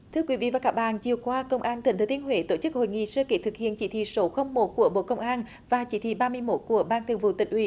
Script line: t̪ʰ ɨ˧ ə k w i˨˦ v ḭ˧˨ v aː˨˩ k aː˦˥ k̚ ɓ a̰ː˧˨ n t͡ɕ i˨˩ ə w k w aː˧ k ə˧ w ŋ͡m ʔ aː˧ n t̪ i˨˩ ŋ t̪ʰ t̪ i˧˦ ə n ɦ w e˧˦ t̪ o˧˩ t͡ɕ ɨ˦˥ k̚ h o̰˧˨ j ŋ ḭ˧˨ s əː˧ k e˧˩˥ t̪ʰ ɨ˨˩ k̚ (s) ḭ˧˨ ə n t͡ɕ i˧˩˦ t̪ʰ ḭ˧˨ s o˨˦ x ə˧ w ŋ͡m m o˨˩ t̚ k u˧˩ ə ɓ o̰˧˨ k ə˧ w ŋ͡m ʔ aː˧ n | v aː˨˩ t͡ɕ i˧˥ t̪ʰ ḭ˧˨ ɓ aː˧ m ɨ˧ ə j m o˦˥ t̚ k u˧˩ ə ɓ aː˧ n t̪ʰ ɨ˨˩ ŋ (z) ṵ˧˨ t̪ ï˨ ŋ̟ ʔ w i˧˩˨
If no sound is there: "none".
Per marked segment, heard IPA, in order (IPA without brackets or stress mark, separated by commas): h, v